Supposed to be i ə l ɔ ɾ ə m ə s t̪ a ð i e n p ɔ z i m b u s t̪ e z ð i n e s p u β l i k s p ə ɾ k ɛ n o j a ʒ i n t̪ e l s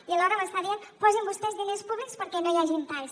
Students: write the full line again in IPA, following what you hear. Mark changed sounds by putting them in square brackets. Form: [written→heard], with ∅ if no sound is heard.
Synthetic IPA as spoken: i ə l ɔ ɾ ə m ə s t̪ a ð i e n p ɔ z i m b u s t̪ [e→ɛ] z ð i n e s p u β l i k s p ə ɾ k ɛ n o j a ʒ i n t̪ [e→a] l s